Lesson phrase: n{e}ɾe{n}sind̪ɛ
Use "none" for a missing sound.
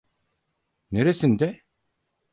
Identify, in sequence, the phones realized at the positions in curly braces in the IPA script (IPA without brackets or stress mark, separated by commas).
e, none